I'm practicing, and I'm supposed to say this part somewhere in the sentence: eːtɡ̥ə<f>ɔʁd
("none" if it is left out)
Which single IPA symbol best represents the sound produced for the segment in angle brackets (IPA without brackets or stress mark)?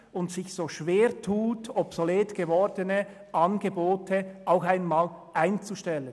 v